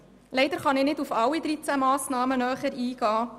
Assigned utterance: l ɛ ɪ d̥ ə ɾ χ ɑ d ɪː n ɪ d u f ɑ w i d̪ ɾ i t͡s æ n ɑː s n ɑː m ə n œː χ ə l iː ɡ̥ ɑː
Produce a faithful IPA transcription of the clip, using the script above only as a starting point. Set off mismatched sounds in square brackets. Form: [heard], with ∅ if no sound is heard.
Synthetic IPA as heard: l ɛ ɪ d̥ ə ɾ χ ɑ [n] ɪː n ɪ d u f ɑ w i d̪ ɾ i t͡s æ [m] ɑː s n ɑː m ə n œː χ ə [ɾ] iː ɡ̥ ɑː